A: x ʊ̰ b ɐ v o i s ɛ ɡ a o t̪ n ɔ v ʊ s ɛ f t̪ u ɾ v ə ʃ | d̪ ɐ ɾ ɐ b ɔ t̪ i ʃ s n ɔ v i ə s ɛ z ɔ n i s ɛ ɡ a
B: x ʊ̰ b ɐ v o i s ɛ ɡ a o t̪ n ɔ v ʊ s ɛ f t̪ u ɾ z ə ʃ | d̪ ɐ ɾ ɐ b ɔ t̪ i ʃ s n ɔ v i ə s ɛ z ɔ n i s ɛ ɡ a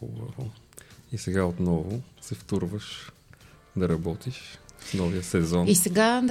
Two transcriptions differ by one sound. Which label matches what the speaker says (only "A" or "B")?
A